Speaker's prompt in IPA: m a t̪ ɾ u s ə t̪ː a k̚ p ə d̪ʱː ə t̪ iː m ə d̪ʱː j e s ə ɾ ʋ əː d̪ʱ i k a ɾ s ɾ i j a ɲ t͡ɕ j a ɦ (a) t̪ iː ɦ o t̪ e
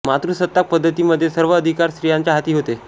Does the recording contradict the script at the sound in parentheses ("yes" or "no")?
no